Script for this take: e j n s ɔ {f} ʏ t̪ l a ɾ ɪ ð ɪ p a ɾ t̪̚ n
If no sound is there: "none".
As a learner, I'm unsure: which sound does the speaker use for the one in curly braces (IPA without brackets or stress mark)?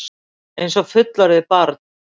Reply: f